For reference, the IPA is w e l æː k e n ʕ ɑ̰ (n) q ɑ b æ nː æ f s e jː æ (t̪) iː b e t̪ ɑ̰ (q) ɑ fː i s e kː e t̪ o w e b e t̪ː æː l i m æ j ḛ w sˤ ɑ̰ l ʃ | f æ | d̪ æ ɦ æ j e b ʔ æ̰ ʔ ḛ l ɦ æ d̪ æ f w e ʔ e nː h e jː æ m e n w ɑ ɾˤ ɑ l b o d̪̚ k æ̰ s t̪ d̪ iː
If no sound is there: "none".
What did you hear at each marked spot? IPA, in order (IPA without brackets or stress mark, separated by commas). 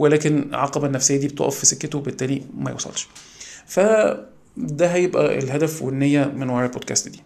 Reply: none, d̪, ʔ